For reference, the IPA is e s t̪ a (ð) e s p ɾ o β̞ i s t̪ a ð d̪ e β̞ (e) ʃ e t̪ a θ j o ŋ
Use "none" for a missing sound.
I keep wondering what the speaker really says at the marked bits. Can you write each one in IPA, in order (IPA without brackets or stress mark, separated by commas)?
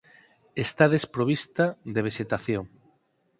ð, e